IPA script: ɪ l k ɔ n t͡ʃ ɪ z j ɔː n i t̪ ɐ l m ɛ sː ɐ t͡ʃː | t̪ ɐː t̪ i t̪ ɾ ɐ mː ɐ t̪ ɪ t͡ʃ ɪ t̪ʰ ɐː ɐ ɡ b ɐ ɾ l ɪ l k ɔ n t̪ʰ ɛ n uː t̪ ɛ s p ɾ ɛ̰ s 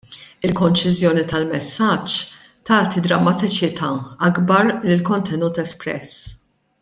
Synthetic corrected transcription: ɪ l k ɔ n t͡ʃ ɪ z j ɔː n i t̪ ɐ l m ɛ sː ɐ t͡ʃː | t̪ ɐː t̪ i d̪ ɾ ɐ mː ɐ t̪ ɪ t͡ʃ ɪ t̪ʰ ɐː ɐ ɡ b ɐ ɾ l ɪ l k ɔ n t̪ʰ ɛ n uː t̪ ɛ s p ɾ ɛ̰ s